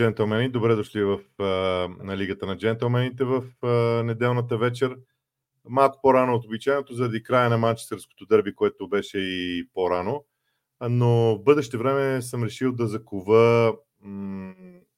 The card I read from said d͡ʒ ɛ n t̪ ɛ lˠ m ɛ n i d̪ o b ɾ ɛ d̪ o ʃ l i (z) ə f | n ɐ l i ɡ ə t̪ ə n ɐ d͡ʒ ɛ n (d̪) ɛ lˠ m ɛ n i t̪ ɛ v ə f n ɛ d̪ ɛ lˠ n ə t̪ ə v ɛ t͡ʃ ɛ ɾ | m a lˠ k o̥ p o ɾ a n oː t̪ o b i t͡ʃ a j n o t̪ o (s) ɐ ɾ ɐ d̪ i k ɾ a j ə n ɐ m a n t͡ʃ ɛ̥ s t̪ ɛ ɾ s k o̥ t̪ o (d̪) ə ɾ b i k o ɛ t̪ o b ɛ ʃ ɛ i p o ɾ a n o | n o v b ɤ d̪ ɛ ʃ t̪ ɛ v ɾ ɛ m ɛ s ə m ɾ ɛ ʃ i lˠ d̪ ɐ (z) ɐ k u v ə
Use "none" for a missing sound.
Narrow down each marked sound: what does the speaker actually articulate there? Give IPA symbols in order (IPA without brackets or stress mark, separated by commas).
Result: v, t̪, z, d̪, z